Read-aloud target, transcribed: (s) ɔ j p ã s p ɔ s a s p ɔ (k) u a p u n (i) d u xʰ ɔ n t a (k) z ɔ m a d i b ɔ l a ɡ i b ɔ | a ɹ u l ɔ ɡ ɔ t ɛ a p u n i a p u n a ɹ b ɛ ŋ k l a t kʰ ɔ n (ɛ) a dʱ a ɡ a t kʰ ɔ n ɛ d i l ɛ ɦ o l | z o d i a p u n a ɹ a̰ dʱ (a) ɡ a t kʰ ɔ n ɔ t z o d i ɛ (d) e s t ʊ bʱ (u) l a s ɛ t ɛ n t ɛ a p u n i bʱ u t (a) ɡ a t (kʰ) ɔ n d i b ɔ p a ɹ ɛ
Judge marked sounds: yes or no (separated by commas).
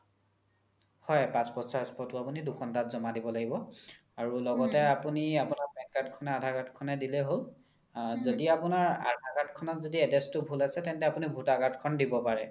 no, no, yes, no, yes, yes, yes, yes, yes, yes